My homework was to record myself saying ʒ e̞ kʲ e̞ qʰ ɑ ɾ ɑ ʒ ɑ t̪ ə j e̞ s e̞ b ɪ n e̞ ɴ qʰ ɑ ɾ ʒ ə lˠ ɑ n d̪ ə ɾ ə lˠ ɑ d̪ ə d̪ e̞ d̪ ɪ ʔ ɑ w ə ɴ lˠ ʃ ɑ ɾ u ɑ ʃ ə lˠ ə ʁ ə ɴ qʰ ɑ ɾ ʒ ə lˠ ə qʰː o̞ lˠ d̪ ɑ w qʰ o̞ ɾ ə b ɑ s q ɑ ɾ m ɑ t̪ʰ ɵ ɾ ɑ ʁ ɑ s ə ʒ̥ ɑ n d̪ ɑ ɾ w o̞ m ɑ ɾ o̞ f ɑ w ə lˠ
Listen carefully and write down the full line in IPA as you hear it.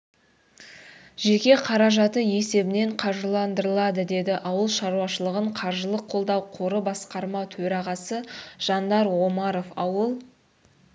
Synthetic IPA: ʒ e̞ kʲ e̞ qʰ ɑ ɾ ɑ ʒ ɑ t̪ ə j e̞ s e̞ b ɪ n e̞ ɴ qʰ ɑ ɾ ʒ ə lˠ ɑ n d̪ ə ɾ ə lˠ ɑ d̪ ə d̪ e̞ d̪ ɪ ʔ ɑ w ə lˠ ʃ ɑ ɾ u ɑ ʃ ə lˠ ə ʁ ə ɴ qʰ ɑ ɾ ʒ ə lˠ ə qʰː o̞ lˠ d̪ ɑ w qʰ o̞ ɾ ə b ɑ s q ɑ ɾ m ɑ t̪ʰ ɵ ɾ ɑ ʁ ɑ s ə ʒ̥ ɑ n d̪ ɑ ɾ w o̞ m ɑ ɾ o̞ f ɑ w ə lˠ